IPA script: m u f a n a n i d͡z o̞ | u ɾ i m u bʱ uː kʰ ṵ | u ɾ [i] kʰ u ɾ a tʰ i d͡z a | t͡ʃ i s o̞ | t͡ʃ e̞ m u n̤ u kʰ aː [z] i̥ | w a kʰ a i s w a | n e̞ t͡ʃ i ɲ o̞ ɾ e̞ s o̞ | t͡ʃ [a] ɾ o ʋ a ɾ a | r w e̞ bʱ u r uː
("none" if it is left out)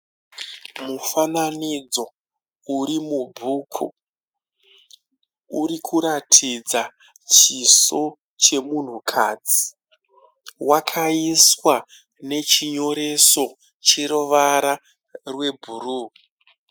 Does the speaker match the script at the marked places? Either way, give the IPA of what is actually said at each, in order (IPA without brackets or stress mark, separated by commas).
i, d͡z, e